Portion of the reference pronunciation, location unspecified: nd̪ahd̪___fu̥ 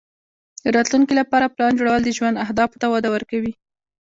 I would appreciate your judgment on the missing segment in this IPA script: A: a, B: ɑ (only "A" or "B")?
B